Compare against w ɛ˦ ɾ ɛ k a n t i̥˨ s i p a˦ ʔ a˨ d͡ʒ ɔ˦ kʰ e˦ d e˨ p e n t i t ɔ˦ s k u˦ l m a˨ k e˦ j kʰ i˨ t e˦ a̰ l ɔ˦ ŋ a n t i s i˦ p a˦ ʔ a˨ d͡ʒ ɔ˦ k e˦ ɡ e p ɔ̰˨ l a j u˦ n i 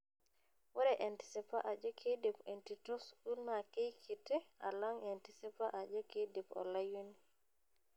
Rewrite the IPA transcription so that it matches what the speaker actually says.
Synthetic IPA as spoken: w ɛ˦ ɾ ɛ ʔ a n t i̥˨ s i p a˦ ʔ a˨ d͡ʒ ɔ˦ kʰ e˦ d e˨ p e n t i t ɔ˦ s k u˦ l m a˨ k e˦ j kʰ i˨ t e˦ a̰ l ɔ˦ ŋ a n t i s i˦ p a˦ ʔ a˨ d͡ʒ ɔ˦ k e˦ d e p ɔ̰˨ l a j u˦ n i